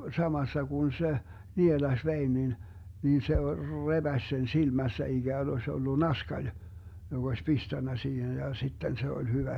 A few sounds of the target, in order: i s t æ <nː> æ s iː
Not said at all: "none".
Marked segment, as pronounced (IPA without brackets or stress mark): nː